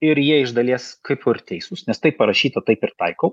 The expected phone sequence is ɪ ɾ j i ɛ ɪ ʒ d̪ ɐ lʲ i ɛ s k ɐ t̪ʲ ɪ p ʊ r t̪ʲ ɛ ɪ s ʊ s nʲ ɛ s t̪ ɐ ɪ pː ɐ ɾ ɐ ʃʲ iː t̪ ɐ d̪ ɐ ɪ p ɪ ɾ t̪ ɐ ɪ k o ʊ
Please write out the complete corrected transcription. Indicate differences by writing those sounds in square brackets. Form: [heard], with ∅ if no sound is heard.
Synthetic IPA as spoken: ɪ ɾ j i ɛ ɪ ʒ d̪ ɐ lʲ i ɛ s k ɐ [∅] ɪ p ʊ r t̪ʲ ɛ ɪ s ʊ s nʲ ɛ s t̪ ɐ ɪ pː ɐ ɾ ɐ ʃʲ iː t̪ ɐ [t̪] ɐ ɪ p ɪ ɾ t̪ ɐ ɪ k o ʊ